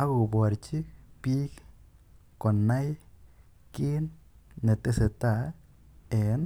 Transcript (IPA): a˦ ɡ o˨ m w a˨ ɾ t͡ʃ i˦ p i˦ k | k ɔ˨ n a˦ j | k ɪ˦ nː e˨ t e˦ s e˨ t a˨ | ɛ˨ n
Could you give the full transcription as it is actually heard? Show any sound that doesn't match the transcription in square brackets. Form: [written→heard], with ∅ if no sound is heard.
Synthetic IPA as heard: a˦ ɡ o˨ [m→b] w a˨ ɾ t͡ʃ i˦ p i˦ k | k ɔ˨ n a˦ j | k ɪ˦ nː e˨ t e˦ s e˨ t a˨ | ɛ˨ n